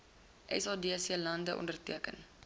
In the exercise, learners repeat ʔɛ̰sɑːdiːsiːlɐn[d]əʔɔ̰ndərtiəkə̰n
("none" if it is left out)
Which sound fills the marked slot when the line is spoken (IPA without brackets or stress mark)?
d